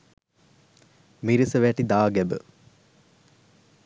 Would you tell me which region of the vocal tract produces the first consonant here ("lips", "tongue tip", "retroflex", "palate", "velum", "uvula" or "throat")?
lips